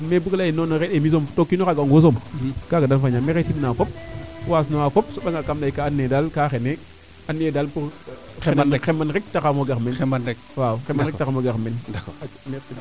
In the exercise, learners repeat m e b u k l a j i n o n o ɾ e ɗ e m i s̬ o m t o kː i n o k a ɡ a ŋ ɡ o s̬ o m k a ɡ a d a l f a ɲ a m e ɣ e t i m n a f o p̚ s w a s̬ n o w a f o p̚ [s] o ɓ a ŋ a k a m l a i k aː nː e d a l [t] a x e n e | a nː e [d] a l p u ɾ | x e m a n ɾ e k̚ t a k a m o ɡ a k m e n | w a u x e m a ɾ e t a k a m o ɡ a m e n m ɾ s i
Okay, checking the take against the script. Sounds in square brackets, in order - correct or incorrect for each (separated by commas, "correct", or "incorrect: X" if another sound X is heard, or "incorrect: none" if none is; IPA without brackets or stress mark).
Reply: correct, incorrect: k, correct